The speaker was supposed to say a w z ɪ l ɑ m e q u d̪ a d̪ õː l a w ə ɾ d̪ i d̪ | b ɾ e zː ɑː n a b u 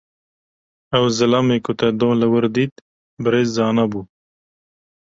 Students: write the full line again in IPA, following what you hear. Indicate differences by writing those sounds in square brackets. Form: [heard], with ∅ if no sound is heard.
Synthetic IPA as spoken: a w z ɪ l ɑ m e [k] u [t̪] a d̪ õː l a w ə ɾ d̪ i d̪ | b ɾ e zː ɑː n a b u